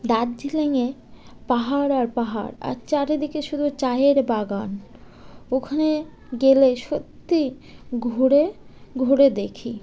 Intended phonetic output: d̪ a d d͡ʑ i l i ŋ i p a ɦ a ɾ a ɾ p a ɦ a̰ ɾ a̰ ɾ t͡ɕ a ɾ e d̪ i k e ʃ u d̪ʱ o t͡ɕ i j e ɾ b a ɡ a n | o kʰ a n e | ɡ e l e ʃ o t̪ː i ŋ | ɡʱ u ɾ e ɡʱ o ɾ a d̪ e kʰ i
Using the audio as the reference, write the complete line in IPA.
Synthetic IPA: d̪ a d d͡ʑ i l e ŋ e p a ɦ a ɾ a ɾ p a ɦ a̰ ɾ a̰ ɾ t͡ɕ a ɾ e d̪ i k e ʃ u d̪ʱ u t͡ɕ a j e ɾ b a ɡ a n | o kʰ a n e | ɡ e l e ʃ o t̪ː i | ɡʱ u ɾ e ɡʱ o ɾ e d̪ e kʰ i